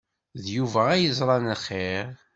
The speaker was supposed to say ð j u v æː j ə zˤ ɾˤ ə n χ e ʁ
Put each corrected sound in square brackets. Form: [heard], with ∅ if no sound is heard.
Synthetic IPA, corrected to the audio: ð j u v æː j ə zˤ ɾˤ [ɑ] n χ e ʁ